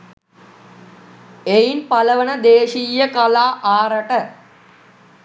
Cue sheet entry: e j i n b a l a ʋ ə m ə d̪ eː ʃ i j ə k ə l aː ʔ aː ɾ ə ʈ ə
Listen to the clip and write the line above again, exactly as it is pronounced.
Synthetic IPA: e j i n p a l ə ʋ ə n ə d̪ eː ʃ i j ə k a l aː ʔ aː ɾ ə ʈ ə